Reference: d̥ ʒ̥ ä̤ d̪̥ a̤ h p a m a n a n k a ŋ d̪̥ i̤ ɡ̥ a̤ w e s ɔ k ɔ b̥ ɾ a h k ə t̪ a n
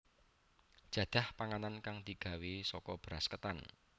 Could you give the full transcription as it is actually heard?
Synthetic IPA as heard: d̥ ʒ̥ ä̤ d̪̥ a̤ h p a ŋ a n a n k a ŋ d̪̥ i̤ ɡ̥ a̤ w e s ɔ k ɔ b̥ ɾ a s k ə t̪ a n